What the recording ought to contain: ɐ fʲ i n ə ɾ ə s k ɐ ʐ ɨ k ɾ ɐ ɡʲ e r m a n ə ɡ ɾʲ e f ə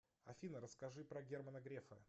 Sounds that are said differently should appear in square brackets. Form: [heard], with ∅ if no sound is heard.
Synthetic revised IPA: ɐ fʲ i n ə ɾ ə s k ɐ ʐ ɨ [p] ɾ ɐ ɡʲ e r m [ə] n ə ɡ ɾʲ e f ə